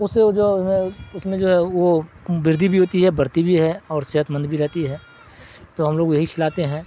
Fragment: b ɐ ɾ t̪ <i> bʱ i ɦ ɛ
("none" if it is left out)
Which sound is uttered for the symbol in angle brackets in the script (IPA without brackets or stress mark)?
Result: i